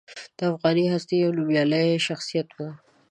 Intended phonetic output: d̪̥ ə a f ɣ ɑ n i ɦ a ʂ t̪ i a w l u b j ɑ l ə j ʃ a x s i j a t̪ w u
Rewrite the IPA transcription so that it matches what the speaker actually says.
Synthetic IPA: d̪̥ ə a f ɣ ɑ n i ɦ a s t̪ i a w l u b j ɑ l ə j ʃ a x s i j a t̪ w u